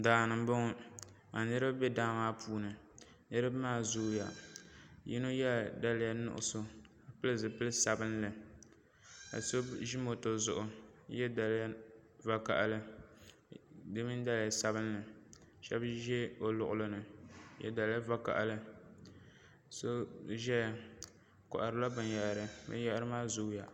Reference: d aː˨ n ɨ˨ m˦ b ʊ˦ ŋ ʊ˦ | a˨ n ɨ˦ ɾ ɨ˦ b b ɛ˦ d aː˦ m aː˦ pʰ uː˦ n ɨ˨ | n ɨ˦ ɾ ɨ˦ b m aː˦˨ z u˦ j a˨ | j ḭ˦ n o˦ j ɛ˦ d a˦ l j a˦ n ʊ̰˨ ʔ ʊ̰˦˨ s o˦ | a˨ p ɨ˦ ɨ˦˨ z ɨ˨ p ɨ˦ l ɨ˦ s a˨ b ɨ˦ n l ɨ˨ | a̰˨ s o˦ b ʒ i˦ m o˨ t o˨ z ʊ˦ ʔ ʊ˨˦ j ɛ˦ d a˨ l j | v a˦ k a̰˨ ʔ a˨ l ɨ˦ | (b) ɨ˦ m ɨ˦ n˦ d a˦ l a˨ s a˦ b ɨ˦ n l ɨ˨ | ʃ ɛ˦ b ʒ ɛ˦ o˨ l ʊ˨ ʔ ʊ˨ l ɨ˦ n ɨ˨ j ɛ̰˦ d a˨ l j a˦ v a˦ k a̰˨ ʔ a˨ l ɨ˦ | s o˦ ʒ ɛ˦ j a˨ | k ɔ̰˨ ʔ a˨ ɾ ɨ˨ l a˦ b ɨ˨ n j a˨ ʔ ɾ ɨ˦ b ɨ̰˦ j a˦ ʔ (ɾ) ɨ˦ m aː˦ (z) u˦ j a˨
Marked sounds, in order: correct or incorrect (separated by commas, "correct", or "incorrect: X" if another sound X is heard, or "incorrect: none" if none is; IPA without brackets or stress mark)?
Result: incorrect: d, correct, correct